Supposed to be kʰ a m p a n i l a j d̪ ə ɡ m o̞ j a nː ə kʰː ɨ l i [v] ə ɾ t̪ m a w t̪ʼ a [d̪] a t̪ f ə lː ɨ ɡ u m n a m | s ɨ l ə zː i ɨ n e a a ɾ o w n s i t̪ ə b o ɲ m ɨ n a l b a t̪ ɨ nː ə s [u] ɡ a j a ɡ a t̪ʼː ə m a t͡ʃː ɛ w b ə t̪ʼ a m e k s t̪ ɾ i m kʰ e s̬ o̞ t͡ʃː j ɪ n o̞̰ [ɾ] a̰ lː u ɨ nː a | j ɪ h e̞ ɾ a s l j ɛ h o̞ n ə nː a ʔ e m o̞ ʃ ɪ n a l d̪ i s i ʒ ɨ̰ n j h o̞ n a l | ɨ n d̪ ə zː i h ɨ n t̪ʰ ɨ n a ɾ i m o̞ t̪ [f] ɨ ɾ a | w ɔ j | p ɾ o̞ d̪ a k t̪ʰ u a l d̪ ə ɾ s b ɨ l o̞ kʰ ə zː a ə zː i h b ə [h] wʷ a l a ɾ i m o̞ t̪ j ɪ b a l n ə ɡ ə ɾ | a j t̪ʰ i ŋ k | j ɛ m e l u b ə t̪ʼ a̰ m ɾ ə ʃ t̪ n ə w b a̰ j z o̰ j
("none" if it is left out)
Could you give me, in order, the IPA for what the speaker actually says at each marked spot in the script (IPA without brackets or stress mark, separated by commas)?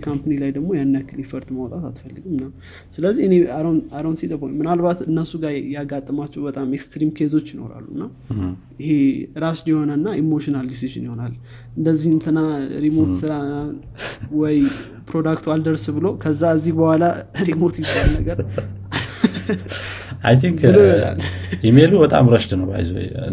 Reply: f, t̪, u, ɾ, s, h